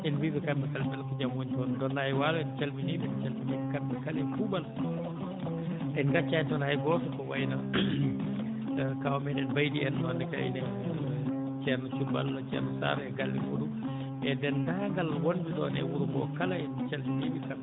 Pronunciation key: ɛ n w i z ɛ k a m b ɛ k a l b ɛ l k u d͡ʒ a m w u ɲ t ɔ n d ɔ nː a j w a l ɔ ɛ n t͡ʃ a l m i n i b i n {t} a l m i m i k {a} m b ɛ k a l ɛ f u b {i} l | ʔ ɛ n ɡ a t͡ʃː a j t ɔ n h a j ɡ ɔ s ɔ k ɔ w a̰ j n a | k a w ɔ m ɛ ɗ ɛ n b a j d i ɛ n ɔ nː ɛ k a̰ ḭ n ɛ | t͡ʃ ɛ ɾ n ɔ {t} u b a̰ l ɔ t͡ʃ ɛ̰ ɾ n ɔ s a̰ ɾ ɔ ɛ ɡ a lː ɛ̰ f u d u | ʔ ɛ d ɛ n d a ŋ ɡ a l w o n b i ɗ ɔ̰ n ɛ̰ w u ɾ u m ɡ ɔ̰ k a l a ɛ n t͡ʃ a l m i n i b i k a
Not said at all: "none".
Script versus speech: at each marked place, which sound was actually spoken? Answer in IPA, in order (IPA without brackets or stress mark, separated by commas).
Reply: t͡ʃ, a, a, t͡ʃ